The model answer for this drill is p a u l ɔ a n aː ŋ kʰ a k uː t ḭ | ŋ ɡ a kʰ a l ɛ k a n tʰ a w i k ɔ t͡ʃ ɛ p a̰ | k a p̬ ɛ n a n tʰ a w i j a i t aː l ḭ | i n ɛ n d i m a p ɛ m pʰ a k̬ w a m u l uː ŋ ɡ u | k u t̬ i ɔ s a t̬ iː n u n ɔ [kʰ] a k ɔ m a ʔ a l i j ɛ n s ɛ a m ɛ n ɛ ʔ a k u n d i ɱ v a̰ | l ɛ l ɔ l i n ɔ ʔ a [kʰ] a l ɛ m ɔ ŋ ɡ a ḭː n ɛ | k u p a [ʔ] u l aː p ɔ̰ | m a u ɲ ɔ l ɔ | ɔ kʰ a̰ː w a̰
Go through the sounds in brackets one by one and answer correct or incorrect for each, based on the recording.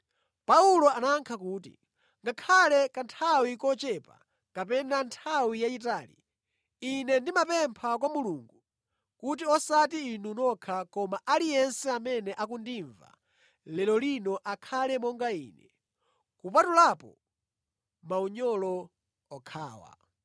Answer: correct, correct, incorrect: t

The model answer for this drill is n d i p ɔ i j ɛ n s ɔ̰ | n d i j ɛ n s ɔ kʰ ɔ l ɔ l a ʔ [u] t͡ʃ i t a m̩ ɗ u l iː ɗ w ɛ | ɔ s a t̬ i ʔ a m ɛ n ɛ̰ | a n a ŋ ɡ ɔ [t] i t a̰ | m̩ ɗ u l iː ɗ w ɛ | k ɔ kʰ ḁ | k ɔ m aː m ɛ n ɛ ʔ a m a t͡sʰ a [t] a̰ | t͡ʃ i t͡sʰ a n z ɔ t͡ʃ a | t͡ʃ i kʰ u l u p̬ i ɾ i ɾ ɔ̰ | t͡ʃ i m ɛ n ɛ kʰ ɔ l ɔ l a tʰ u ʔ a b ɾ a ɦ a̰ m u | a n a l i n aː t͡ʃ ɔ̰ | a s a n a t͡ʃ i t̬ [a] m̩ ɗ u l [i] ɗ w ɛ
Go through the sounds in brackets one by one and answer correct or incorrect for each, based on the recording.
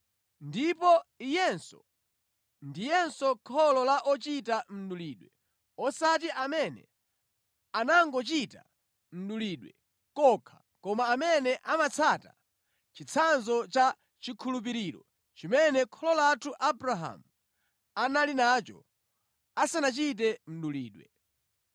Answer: incorrect: ɔ, incorrect: t͡ʃ, correct, incorrect: ɛ, incorrect: iː

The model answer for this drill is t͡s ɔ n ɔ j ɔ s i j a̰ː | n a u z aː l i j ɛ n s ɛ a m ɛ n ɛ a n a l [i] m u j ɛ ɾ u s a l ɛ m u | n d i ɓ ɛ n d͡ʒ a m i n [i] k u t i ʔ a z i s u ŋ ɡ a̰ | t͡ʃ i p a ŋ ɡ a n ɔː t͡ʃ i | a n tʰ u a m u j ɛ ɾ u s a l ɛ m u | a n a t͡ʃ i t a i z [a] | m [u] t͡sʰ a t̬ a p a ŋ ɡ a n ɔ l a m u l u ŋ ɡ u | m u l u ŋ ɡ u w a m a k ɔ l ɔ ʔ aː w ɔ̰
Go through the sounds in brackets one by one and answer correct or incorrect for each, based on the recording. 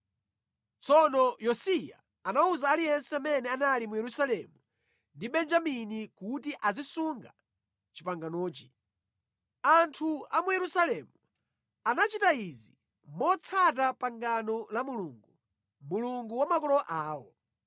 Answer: correct, correct, incorrect: i, incorrect: ɔ

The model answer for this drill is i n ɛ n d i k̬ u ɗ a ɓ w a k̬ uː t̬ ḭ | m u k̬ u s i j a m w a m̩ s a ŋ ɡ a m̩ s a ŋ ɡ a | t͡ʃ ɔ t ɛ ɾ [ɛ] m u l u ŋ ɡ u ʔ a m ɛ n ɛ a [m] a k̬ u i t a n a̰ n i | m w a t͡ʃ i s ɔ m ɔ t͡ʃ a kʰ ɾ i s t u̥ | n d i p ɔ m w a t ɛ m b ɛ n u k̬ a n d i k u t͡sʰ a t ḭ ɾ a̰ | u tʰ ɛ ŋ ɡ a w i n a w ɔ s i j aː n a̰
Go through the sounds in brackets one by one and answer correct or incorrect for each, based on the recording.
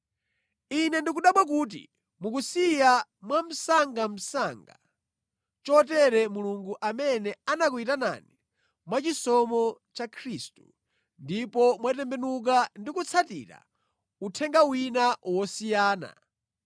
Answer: correct, incorrect: n

